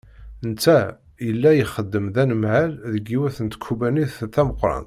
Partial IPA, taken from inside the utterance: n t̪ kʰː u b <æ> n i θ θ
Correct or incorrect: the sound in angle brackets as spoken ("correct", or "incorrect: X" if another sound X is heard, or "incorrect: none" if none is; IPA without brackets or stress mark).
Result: correct